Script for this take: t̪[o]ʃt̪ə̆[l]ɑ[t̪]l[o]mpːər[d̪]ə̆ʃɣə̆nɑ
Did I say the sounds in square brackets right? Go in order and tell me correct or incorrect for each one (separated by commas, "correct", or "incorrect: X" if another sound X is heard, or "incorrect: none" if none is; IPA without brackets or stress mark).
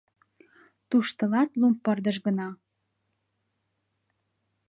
incorrect: u, correct, correct, incorrect: u, correct